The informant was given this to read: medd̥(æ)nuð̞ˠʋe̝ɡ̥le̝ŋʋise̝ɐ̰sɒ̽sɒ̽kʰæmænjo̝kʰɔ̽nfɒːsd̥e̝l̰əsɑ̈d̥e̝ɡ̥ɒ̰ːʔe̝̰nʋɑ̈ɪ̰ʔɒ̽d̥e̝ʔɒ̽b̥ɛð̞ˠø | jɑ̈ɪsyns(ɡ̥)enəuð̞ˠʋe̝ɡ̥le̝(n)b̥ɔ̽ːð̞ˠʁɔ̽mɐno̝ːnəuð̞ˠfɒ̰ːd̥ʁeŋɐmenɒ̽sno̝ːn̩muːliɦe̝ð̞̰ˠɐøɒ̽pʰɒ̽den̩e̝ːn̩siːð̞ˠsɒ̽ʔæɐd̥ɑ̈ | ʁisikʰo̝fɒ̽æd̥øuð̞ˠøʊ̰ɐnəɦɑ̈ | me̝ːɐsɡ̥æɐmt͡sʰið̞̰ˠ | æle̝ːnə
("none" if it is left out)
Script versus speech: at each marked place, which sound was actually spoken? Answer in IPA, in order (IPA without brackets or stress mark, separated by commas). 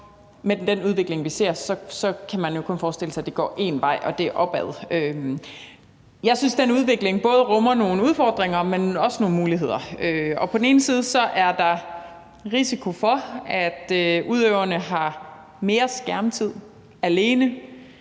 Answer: e, d̥, ŋ